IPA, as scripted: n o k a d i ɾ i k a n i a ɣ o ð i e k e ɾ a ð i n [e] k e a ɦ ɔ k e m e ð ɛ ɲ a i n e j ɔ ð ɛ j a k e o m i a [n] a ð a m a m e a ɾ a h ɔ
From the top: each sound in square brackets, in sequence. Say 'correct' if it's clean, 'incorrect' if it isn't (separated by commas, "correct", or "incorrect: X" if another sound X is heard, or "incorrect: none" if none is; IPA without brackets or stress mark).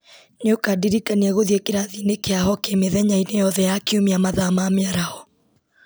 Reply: correct, incorrect: m